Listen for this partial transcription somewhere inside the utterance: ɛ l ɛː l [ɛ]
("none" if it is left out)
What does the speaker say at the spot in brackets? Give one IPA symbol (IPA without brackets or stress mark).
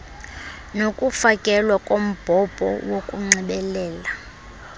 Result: a